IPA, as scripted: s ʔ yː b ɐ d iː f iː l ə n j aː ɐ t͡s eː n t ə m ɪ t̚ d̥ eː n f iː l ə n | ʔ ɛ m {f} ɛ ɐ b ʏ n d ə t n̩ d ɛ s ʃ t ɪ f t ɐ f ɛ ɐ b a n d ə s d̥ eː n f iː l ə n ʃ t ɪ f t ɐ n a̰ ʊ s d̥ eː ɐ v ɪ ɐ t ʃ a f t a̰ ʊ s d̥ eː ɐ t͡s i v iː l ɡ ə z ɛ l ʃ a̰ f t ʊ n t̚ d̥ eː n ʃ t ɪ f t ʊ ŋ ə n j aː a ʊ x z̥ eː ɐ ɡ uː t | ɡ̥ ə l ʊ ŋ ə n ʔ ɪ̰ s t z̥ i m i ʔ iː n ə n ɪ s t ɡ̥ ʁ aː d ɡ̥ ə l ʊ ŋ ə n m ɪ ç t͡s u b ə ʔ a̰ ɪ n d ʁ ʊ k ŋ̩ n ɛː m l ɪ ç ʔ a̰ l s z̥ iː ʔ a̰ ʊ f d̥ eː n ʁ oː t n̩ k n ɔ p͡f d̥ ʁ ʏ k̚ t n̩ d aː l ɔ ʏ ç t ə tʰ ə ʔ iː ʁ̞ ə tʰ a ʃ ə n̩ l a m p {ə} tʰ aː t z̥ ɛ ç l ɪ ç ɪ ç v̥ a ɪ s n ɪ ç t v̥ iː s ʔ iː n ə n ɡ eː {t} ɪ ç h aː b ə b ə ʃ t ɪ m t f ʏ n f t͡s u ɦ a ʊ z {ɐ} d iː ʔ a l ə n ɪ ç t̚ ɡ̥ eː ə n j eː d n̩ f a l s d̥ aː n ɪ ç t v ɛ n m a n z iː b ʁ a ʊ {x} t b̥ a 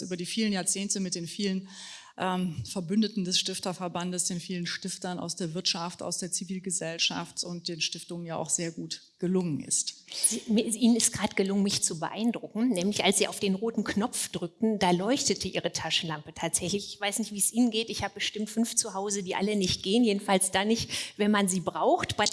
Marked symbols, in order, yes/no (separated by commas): yes, yes, yes, no, yes